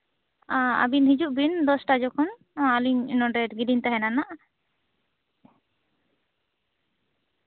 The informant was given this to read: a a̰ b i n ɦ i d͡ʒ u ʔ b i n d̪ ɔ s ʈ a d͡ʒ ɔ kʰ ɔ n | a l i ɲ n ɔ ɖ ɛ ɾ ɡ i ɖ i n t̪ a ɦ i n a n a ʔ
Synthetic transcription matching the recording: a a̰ b i n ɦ i d͡ʒ u ʔ b i n d̪ ɔ s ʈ a d͡ʒ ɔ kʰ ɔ n | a l i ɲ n ɔ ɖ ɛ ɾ ɡ i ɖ i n t̪ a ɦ ɛ n a n a ʔ